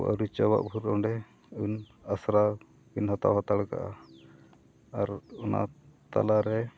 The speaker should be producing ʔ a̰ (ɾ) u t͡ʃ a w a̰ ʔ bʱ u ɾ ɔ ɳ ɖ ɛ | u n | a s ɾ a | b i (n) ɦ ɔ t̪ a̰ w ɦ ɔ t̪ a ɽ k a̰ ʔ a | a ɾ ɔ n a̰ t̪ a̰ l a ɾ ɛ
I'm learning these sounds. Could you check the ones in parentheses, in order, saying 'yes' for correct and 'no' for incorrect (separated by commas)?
yes, yes